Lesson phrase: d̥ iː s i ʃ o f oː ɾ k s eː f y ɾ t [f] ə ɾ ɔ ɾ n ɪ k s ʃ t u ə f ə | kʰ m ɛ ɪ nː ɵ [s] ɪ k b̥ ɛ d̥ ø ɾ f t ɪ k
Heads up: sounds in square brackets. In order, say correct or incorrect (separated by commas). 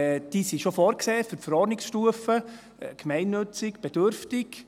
correct, incorrect